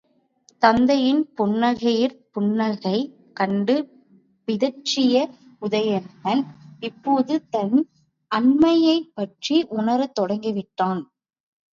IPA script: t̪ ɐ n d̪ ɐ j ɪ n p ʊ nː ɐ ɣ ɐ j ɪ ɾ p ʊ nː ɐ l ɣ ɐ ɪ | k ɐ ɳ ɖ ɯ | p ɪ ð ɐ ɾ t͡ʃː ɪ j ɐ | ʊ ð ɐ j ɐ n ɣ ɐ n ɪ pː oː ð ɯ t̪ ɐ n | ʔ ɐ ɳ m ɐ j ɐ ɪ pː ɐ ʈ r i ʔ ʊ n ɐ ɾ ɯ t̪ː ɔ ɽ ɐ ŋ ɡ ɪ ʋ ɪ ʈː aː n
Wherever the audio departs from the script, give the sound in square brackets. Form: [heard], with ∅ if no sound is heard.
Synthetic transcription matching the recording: t̪ ɐ n d̪ ɐ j ɪ n p ʊ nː ɐ ɣ ɐ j ɪ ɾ p ʊ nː ɐ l ɣ ɐ ɪ | k ɐ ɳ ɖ ɯ | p ɪ ð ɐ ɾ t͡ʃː ɪ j ɐ | ʊ ð ɐ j ɐ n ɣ ɐ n ɪ pː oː ð ɯ t̪ ɐ n | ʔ ɐ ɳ m ɐ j ɐ ɪ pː ɐ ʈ r i ʔ ʊ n ɐ ɾ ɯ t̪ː ɔ ɽ ɐ ŋ ɡ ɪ ʋ ɪ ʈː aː n